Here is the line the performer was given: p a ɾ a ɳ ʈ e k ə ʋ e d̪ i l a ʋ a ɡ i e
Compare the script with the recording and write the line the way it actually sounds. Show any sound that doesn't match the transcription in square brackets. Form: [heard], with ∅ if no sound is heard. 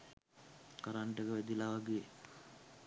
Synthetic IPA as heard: [k] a ɾ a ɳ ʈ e k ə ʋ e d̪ i l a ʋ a ɡ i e